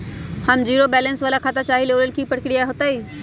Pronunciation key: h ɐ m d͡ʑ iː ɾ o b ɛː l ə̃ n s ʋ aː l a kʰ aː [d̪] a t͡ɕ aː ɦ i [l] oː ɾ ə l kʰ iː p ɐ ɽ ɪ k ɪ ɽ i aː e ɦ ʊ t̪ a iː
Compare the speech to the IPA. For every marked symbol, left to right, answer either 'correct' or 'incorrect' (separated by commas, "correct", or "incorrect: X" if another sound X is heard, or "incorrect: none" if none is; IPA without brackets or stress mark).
incorrect: t̪, correct